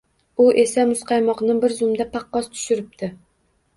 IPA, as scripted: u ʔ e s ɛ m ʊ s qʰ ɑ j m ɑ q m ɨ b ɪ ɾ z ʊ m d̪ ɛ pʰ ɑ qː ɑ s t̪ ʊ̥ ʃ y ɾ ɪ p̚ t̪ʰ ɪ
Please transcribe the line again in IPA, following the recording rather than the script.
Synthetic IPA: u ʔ e s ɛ m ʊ s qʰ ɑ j m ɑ q n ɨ b ɪ ɾ z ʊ m d̪ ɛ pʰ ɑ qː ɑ s t̪ʰ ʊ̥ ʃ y ɾ ɪ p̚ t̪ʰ ɪ

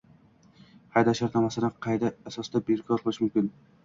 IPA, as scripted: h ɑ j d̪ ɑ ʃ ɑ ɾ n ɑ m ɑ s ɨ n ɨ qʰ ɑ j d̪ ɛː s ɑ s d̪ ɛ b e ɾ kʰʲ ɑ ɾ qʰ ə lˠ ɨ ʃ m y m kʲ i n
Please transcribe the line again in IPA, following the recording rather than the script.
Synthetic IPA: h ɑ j d̪ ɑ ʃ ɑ ɾ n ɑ m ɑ s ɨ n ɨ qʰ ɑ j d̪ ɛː s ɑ s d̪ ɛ b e ɾ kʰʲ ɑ ɾ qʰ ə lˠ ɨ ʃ m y m kʲ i n

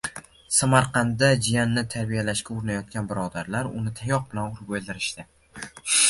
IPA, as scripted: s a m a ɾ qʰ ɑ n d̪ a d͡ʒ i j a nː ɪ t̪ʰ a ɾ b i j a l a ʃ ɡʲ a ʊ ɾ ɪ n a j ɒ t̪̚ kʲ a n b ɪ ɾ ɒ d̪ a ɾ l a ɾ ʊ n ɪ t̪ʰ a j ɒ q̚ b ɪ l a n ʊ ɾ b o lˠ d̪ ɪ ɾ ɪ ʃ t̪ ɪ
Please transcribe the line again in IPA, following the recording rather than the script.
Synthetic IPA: s a m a ɾ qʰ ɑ n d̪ a d͡ʒ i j a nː ɪ t̪ʰ a ɾ b i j a l a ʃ kʲ a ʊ ɾ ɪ n a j ɒ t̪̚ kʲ a n b ɪ ɾ ɒ d̪ a ɾ l a ɾ ʊ n ɪ t̪ʰ a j ɒ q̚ b ɪ l a n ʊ ɾ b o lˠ d̪ ɪ ɾ ɪ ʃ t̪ ɪ

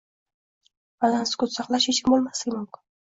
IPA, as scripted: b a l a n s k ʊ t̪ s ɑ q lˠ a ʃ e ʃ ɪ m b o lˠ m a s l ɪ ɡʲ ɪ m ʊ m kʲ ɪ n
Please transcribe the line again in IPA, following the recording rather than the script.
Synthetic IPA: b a l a n s k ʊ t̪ s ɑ q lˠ a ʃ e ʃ ɪ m b o lˠ m a s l ɪ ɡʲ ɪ m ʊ m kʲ ɪ n

